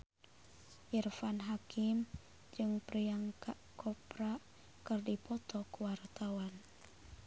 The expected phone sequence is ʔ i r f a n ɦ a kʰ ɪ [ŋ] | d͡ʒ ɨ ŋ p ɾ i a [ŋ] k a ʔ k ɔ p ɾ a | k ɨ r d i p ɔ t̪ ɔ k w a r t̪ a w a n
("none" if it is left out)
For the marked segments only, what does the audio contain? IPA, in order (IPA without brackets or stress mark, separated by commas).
m, ŋ